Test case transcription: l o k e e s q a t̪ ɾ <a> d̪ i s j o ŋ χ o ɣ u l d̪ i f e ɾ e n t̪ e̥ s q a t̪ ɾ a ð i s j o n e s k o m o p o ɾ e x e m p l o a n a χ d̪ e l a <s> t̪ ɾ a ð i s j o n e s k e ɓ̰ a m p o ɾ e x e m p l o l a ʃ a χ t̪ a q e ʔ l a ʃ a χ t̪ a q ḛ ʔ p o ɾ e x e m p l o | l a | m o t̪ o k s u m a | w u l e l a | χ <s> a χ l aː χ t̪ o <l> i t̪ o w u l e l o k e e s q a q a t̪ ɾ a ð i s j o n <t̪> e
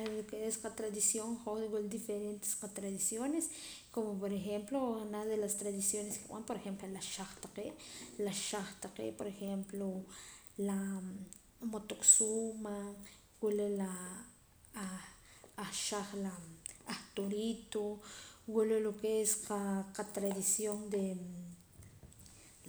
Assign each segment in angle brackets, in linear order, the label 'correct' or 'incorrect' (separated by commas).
correct, correct, incorrect, incorrect, incorrect